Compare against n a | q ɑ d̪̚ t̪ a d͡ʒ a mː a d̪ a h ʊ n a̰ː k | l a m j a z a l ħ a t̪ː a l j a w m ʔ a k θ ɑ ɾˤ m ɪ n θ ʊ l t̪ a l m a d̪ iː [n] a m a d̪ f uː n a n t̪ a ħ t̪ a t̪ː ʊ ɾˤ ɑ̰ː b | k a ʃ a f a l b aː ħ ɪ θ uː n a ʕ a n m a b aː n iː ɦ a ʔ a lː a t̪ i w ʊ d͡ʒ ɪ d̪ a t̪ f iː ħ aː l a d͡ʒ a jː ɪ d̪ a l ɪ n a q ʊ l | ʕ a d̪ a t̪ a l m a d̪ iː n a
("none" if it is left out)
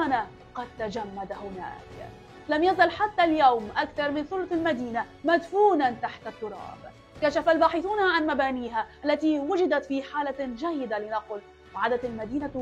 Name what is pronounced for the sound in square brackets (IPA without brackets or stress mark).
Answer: n